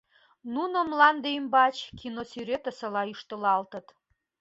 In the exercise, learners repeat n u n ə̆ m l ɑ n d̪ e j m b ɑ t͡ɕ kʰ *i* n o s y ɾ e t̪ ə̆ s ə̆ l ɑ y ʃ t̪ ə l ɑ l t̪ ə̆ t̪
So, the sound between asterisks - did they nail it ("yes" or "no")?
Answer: yes